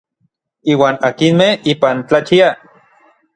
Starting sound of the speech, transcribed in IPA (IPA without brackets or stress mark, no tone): iː